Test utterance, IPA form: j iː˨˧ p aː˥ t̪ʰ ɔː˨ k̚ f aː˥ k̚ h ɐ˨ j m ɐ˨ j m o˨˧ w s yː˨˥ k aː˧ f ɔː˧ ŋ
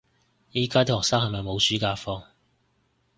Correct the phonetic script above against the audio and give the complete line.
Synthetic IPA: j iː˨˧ k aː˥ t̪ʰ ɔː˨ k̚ s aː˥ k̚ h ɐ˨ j m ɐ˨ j m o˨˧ w s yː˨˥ k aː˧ f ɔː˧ ŋ